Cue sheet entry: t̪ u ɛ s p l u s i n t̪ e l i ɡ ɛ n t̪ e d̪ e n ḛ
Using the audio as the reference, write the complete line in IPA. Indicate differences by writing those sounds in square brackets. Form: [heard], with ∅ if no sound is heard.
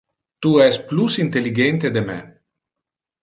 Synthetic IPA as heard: t̪ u ɛ s p l u s i n t̪ e l i ɡ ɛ n t̪ e d̪ e [m] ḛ